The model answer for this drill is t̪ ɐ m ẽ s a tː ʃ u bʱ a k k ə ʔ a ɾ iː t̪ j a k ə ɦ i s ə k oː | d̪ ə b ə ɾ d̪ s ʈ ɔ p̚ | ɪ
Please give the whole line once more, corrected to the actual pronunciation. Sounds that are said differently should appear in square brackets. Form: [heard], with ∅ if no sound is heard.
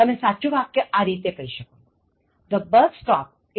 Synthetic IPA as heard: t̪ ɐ m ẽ s a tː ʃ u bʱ a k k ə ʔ a ɾ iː t̪ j [e] k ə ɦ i [ʃ] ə k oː | d̪ ə b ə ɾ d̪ s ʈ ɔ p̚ | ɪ